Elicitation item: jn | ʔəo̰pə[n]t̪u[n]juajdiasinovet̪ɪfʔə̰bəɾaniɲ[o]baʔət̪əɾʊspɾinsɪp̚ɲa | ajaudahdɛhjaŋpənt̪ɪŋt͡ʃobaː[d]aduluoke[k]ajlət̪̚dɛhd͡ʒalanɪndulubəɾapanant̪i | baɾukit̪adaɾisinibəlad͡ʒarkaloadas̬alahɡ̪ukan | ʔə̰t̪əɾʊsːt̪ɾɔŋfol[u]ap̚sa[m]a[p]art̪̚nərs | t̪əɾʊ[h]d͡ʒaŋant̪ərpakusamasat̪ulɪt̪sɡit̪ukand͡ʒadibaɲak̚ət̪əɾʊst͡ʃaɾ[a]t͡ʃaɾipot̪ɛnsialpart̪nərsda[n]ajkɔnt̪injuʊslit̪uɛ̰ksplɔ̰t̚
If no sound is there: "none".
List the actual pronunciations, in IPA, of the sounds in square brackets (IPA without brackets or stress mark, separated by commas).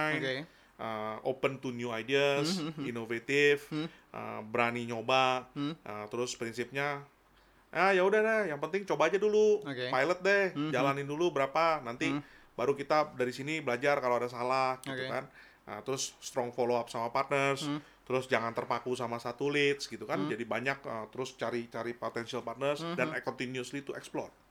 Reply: n, n, o, d͡ʒ, p, o, m, p, s, i, n